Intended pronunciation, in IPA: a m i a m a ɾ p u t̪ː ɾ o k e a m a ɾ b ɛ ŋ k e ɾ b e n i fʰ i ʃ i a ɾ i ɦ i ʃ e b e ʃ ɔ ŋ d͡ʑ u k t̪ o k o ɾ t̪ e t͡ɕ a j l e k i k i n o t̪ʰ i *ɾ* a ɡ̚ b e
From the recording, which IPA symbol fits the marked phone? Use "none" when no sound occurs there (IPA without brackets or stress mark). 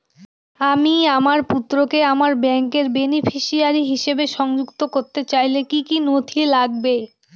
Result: l